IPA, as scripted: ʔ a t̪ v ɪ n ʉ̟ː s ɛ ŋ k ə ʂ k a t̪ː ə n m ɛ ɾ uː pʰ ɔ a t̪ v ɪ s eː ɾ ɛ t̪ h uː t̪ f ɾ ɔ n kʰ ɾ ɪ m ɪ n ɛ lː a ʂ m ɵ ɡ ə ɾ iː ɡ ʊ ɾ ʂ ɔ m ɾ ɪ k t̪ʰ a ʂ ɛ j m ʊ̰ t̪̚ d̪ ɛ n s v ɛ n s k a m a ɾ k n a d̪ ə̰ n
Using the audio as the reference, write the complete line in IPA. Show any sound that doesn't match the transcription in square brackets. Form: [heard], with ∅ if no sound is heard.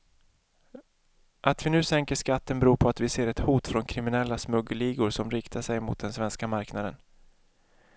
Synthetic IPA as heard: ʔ a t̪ v ɪ n ʉ̟ː s ɛ ŋ k ə ʂ k a t̪ː ə n [b] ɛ ɾ uː pʰ ɔ a t̪ v ɪ s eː ɾ ɛ t̪ h uː t̪ f ɾ ɔ n kʰ ɾ ɪ m ɪ n ɛ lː a [s] m ɵ ɡ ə [l] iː ɡ ʊ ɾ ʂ ɔ m ɾ ɪ k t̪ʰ a ʂ ɛ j m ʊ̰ t̪̚ d̪ ɛ n s v ɛ n s k a m a ɾ k n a d̪ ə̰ n